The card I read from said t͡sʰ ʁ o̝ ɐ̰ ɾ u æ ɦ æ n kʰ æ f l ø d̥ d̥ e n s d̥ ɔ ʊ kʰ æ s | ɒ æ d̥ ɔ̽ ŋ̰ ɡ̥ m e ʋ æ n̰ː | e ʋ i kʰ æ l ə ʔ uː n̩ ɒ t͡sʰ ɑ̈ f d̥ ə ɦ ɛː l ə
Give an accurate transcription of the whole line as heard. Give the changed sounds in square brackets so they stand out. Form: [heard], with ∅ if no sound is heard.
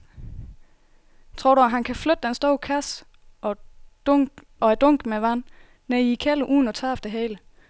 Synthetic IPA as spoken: t͡sʰ ʁ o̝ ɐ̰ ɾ u æ ɦ æ n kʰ æ f l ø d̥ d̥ e n s d̥ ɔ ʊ kʰ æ s | ɒ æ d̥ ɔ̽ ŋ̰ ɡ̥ m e ʋ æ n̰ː | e [∅] i kʰ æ l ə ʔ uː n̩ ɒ t͡sʰ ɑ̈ f d̥ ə ɦ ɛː l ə